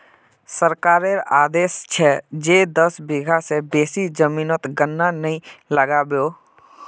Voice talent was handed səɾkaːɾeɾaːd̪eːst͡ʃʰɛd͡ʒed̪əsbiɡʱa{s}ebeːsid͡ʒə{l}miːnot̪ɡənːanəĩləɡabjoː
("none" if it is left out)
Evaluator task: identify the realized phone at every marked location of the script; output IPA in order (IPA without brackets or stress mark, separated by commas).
s, none